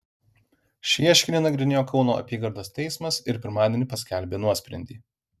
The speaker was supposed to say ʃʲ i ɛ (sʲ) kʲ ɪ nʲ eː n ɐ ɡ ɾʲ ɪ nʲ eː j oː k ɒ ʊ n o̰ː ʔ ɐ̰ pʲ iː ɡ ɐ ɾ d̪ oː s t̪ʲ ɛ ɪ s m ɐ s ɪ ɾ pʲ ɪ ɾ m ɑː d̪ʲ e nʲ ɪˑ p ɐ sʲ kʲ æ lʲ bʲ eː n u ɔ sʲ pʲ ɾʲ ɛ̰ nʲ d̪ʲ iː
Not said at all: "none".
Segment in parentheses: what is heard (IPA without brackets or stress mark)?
ʃʲ